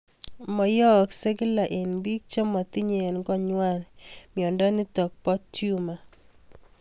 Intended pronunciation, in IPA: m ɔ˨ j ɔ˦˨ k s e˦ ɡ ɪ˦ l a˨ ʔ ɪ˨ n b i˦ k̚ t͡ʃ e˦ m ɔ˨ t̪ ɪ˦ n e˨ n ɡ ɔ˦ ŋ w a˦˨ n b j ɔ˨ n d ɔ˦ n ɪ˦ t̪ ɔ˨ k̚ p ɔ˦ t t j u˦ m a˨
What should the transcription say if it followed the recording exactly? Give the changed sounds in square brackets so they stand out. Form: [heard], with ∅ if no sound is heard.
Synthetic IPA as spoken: m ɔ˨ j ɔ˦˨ k s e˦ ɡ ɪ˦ l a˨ ʔ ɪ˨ n b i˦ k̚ t͡ʃ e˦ m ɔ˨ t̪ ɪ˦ [ɲ] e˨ n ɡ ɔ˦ [ɲ] w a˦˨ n [m] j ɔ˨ n d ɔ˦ n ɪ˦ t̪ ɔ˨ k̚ p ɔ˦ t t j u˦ m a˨